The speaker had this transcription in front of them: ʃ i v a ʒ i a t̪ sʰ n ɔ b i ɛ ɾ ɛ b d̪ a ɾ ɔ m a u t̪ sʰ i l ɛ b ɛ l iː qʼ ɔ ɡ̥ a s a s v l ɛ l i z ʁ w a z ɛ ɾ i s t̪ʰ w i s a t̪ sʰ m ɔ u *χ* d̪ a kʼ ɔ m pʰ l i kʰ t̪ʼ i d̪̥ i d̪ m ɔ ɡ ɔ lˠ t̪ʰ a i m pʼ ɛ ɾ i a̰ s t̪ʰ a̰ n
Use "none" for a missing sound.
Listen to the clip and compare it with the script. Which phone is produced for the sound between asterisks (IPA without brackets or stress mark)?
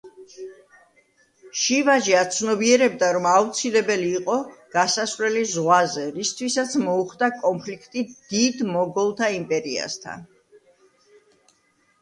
χ